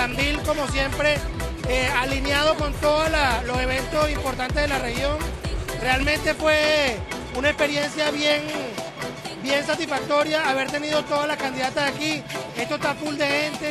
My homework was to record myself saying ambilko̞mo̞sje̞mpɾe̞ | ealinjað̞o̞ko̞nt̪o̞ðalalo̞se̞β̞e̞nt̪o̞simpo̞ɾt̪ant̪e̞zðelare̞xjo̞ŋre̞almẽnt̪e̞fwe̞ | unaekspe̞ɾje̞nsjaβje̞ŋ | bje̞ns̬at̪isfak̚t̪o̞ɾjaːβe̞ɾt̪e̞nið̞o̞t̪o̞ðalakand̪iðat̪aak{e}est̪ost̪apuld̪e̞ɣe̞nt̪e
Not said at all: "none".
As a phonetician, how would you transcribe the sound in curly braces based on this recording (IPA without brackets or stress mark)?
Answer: i